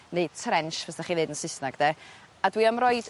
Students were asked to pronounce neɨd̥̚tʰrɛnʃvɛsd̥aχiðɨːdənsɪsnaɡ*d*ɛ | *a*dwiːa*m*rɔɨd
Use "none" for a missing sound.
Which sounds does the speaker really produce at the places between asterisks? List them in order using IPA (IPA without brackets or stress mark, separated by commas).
d, a, m